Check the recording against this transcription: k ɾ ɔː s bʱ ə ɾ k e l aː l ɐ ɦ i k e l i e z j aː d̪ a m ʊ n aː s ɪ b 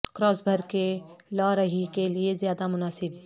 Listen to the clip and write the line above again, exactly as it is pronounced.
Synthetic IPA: k ɾ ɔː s bʱ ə ɾ k e l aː ɾ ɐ ɦ i k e l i e z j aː d̪ a m ʊ n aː s ɪ b